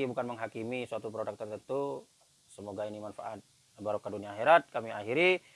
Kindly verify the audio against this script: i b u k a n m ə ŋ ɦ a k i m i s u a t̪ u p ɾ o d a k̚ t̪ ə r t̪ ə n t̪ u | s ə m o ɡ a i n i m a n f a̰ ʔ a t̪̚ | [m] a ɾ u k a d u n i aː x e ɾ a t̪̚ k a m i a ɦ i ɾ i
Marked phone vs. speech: incorrect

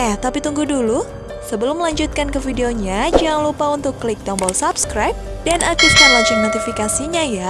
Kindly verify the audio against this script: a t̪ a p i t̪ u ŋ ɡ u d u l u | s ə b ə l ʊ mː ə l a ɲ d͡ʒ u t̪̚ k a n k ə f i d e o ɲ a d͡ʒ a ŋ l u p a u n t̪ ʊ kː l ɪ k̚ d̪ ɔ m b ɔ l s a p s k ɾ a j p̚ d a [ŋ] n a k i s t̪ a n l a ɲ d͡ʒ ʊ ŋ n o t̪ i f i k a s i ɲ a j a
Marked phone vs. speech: incorrect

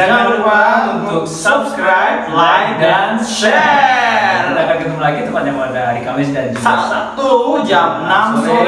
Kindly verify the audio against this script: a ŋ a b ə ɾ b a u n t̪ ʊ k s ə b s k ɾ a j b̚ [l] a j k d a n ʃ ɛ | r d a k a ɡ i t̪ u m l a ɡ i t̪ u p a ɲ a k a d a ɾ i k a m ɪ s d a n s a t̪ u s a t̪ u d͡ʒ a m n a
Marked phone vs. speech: correct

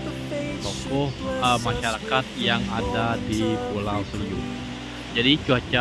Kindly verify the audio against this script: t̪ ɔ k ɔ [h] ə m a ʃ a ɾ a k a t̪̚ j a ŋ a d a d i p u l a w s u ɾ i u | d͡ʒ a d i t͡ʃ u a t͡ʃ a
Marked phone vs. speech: correct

